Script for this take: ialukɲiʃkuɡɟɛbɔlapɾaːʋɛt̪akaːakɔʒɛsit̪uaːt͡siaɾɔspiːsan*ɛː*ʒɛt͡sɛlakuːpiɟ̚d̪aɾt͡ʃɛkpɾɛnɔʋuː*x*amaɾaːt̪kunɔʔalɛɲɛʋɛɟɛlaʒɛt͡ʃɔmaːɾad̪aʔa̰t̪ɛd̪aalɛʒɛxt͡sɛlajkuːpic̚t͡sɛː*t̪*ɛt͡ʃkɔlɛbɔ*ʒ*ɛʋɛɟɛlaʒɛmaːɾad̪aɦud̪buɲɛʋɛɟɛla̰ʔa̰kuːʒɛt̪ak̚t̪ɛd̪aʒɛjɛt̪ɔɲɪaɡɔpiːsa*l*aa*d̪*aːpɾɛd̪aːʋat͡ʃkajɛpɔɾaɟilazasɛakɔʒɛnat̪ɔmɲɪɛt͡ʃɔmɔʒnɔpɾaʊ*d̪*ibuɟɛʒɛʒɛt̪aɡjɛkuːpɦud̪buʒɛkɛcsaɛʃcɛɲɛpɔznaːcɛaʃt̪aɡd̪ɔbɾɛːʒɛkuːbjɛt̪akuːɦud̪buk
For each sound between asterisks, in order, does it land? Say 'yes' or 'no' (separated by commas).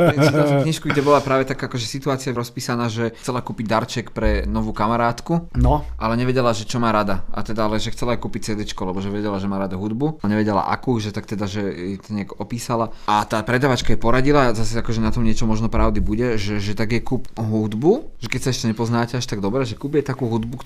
no, no, no, yes, yes, no, yes